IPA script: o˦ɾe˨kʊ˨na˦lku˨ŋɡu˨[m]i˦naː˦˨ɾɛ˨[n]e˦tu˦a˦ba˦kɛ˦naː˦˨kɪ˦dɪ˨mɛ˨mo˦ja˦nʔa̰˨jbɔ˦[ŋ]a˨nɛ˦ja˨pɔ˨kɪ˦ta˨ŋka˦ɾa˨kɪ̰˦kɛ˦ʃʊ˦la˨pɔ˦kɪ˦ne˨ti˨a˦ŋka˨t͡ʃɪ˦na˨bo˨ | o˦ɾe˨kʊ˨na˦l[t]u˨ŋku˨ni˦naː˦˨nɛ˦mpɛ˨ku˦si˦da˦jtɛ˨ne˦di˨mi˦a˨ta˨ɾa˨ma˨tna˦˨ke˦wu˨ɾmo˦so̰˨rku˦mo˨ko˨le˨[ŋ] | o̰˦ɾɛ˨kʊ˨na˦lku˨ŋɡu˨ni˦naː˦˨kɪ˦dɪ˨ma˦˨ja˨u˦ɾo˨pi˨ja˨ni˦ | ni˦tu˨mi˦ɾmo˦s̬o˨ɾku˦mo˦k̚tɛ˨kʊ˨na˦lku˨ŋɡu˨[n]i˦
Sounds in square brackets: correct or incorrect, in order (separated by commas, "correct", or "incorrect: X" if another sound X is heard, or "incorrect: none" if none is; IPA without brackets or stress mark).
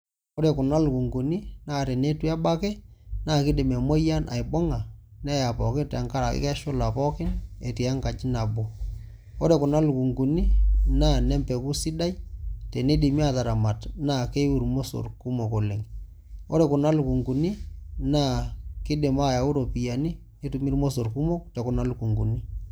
incorrect: n, correct, correct, incorrect: k, correct, correct